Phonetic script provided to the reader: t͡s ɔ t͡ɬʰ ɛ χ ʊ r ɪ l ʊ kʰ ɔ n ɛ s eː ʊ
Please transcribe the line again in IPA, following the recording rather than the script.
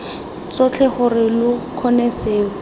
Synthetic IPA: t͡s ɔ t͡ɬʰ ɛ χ ʊ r ɪ l ʊ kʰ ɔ n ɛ s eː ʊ